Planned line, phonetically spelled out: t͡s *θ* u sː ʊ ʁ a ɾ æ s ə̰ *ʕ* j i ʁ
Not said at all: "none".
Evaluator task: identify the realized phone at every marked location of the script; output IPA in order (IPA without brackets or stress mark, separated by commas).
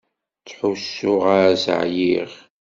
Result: ħ, ʕ